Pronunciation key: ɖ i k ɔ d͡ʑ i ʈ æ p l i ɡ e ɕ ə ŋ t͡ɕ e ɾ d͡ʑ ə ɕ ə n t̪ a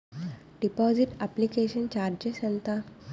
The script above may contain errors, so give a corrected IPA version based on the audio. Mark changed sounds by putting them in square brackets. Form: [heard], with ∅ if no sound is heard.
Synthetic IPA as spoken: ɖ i [p] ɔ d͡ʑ i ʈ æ p l i [k] e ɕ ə [n] t͡ɕ [a] ɾ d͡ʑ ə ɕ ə n t̪ a